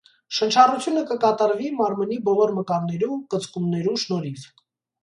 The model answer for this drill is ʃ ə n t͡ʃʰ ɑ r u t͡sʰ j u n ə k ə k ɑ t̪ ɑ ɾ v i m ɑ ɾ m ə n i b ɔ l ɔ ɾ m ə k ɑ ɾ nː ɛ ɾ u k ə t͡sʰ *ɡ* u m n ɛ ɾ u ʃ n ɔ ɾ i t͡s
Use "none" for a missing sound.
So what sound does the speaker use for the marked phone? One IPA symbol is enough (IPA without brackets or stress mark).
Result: k